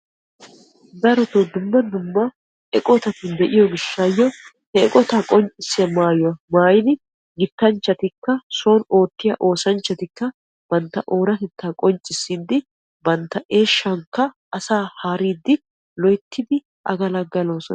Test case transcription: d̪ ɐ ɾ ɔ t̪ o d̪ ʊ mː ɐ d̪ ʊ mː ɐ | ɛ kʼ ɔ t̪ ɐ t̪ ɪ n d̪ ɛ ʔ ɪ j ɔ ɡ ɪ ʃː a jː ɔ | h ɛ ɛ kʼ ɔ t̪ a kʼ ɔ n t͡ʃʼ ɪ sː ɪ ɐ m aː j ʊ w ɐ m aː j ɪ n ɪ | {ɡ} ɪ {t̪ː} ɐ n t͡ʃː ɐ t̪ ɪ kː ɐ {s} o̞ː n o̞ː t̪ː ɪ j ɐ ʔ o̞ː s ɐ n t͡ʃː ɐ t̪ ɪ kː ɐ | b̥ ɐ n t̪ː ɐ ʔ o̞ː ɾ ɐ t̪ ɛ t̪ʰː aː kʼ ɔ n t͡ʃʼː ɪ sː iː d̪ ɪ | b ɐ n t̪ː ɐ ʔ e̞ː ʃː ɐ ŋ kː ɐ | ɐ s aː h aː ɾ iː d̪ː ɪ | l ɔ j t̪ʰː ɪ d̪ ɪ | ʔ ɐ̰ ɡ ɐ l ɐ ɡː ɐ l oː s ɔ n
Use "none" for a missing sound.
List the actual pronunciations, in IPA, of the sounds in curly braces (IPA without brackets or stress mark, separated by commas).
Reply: ɡ, t̪ː, s